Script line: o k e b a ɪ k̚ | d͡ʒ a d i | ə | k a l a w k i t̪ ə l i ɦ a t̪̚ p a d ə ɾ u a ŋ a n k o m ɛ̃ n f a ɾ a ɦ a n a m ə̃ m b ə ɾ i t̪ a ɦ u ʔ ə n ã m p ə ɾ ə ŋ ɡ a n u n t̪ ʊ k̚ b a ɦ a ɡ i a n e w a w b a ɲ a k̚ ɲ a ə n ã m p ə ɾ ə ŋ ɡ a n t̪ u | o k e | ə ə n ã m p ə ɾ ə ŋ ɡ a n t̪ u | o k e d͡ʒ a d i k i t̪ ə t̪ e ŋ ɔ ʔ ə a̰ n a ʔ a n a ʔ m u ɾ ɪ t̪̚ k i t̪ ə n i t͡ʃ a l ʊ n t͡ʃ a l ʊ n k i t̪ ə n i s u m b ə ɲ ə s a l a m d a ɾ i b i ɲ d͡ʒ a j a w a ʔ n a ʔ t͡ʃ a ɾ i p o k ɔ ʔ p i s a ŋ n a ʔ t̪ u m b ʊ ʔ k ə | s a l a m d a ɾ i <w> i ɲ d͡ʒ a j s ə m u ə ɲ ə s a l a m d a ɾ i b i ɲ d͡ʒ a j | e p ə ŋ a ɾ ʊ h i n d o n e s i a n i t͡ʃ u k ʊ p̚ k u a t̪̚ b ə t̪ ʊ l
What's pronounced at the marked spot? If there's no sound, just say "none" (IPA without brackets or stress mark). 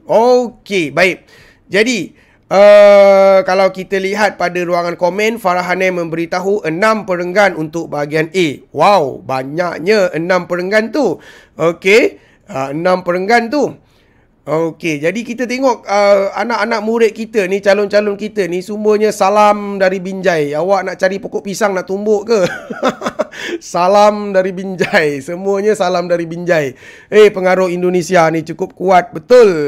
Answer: b